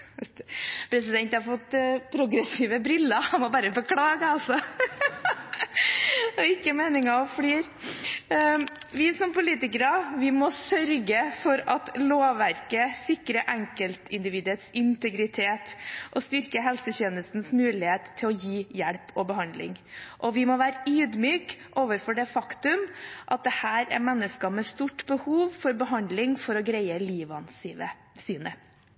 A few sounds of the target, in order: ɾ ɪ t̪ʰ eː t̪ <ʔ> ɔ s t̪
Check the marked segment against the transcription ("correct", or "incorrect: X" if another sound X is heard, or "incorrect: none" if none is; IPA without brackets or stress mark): correct